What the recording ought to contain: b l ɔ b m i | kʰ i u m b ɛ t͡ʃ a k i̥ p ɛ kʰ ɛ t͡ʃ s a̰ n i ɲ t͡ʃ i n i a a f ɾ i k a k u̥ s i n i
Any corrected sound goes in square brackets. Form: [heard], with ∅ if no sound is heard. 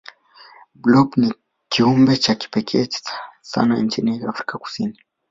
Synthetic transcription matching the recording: b l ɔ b [n] i | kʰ i u m b ɛ t͡ʃ a k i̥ p ɛ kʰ ɛ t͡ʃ s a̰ n [a] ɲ t͡ʃ i n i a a f ɾ i k a k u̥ s i n i